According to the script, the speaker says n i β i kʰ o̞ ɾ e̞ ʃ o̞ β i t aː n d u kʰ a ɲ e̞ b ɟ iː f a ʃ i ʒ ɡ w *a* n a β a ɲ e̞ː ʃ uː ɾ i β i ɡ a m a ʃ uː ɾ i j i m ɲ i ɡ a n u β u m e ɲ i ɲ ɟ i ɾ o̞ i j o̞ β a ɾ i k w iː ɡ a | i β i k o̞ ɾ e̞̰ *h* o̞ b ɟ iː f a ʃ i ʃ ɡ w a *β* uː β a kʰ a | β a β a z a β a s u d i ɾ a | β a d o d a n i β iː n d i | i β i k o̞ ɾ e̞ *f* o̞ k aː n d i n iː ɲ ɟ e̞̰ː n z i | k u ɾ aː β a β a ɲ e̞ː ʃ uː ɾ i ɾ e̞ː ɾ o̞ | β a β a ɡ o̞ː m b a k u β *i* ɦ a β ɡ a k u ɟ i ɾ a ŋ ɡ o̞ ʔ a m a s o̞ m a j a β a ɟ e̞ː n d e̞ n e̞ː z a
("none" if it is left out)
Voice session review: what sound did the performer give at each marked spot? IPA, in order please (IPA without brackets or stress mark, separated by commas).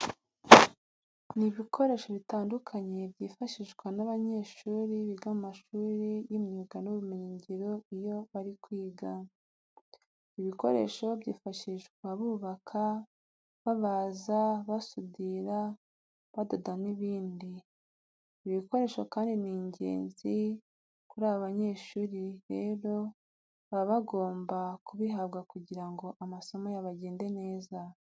a, ʃ, β, ʃ, i